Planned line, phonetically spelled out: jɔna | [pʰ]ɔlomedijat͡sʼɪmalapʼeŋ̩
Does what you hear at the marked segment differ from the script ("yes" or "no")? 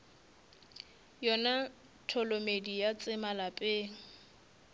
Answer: yes